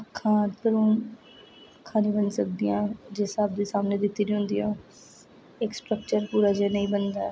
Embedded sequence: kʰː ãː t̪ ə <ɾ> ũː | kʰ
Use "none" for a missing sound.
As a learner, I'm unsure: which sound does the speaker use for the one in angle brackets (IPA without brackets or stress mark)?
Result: ɾ